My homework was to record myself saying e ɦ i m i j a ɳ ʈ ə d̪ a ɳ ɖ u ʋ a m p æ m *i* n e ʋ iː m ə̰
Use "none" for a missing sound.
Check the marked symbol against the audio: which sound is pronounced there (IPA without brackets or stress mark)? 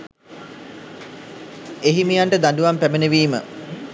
e